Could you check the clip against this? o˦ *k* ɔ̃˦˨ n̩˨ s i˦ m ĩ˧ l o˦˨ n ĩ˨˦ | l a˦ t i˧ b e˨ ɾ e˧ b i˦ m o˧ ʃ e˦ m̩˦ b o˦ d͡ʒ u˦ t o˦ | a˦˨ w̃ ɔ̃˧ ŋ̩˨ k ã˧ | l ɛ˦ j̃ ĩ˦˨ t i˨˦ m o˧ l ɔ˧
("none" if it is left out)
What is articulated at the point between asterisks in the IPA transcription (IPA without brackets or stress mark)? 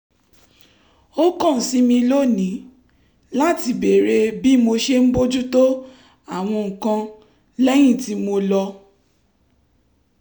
k